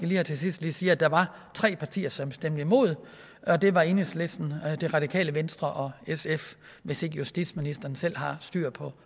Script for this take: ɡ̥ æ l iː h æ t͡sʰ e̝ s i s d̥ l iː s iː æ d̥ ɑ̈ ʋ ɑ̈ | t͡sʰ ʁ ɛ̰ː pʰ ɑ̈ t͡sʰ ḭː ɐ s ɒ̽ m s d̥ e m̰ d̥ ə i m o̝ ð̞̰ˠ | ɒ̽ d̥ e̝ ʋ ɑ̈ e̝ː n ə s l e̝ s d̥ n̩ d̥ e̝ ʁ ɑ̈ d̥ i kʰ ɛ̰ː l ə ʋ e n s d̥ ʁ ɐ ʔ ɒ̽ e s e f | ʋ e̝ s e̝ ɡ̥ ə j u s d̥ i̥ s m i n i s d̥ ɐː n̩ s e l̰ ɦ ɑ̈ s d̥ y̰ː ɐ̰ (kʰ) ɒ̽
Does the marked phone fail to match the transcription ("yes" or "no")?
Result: yes